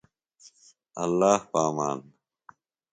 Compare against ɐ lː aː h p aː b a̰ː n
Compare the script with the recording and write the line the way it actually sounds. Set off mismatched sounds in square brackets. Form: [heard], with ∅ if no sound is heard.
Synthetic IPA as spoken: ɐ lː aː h p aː [m] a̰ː n